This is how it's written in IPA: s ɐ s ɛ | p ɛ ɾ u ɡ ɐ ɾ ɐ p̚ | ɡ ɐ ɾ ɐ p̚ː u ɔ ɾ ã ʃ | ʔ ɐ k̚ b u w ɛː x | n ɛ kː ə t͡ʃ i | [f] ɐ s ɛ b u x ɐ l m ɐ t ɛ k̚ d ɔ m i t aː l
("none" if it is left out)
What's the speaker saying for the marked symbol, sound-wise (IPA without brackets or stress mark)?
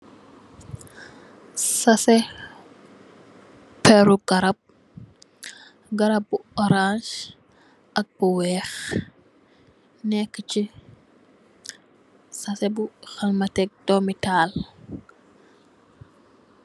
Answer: s